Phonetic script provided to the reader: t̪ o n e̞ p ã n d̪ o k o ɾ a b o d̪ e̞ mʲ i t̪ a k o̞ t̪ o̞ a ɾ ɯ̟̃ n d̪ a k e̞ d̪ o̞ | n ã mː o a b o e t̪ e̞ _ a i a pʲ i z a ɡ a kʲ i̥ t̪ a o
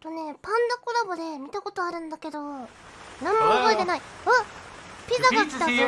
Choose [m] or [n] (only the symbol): n